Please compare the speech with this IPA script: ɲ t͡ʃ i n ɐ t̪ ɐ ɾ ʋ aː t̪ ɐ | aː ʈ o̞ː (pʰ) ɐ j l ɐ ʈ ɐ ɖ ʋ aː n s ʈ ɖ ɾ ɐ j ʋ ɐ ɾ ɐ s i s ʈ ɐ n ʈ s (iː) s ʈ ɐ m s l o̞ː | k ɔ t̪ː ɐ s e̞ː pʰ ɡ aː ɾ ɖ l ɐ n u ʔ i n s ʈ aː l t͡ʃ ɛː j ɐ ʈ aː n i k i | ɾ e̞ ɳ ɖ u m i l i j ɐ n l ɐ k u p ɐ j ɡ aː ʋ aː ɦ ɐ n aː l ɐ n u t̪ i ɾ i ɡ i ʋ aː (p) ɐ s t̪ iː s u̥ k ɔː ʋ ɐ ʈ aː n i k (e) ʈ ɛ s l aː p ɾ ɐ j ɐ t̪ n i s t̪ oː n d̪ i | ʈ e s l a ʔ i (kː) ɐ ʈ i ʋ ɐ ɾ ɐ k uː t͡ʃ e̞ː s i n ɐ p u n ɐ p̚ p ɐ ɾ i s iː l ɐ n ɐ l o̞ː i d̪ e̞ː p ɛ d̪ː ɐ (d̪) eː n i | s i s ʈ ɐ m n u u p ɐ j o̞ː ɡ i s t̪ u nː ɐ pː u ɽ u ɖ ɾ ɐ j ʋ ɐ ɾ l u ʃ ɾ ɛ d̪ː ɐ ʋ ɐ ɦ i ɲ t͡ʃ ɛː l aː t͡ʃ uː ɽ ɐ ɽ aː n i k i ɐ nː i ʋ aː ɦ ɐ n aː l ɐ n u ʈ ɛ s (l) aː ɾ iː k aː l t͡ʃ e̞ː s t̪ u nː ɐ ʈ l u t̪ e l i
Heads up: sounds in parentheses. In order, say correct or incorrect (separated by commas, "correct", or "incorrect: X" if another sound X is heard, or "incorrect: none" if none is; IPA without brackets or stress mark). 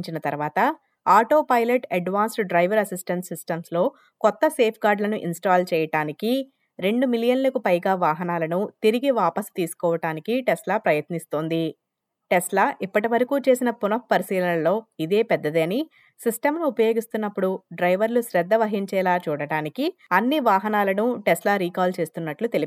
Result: incorrect: p, incorrect: i, correct, incorrect: i, incorrect: pː, correct, correct